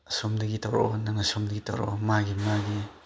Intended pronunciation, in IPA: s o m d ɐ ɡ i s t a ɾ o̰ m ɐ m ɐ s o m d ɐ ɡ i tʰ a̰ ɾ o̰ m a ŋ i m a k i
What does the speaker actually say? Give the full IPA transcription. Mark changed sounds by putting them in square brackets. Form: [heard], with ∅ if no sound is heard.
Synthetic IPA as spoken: s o m d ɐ ɡ i [∅] t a ɾ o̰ [n] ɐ [ŋ] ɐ s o m d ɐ ɡ i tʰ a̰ ɾ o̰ m a [ɡ] i m a [ɡ] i